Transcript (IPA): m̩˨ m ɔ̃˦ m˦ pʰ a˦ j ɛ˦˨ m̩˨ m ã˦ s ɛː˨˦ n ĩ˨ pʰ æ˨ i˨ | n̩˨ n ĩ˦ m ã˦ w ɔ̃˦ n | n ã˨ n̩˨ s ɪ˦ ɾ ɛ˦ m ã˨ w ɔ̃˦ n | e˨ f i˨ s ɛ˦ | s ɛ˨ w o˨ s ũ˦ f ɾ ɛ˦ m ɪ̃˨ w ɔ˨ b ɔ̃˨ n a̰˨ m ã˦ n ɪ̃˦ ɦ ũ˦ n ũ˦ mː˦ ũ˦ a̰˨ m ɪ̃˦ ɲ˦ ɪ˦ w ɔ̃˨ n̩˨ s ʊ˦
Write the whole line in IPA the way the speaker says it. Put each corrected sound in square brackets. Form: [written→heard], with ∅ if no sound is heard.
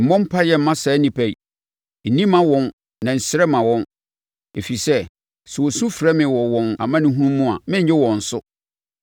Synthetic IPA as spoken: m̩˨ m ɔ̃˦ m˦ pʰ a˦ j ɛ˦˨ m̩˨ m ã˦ s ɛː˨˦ n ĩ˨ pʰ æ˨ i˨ | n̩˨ n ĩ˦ m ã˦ w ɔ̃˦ n | n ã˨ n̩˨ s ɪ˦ ɾ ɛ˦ m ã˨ w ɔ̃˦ n | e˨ f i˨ s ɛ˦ | s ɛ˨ w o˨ s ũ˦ f ɾ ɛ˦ m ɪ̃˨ w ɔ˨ [b→w] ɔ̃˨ n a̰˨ m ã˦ n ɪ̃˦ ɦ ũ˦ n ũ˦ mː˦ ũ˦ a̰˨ m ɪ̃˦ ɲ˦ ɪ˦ w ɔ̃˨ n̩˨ s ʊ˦

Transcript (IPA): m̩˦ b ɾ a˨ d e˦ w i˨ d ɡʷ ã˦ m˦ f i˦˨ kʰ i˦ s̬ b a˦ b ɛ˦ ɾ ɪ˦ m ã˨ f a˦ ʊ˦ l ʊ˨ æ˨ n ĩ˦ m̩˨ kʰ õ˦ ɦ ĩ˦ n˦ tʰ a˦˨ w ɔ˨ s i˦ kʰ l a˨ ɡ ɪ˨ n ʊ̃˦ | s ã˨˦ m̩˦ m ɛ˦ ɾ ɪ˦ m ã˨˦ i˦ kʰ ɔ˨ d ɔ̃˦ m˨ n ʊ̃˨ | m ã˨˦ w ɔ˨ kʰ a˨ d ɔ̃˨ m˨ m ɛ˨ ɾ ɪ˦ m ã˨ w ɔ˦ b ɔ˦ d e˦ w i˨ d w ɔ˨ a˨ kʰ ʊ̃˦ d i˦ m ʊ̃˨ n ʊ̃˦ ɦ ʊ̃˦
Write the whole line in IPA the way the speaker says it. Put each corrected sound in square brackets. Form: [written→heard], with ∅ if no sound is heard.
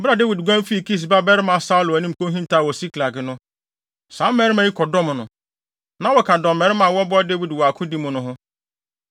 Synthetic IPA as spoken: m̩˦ b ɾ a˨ d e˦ w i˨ d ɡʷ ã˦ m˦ f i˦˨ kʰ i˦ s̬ b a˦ b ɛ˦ ɾ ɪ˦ m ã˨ [f→s] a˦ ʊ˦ l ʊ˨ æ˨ n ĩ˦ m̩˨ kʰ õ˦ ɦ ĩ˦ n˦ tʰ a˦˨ w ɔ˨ s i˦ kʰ l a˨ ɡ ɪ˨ n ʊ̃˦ | s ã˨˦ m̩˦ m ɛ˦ ɾ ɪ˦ m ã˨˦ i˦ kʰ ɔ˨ d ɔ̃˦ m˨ n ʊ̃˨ | [m→n] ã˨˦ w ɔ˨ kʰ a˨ d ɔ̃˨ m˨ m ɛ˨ ɾ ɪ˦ m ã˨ w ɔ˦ b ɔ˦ d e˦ w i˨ d w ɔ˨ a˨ kʰ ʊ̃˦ d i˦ m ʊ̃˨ n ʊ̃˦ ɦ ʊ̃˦

